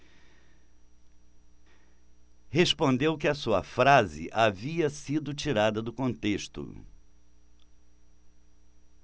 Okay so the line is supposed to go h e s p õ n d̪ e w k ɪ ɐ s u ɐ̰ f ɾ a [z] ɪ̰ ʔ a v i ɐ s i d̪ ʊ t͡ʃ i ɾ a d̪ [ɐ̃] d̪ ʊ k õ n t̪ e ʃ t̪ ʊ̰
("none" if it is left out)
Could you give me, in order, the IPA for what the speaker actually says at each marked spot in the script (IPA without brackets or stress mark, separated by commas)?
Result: z, ɐ